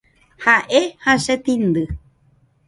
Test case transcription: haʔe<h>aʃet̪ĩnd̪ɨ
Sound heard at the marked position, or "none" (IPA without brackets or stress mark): h